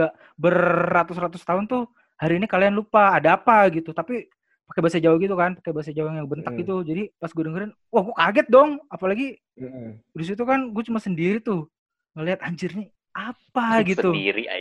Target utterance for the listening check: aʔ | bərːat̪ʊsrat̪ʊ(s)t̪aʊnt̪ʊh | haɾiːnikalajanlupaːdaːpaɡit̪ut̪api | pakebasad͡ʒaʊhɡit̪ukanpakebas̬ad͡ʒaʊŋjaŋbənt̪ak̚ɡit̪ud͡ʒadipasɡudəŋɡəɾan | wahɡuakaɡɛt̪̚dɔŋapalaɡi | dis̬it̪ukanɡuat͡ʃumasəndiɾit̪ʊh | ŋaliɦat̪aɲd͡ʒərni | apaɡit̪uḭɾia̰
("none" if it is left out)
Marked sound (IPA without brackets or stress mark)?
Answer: s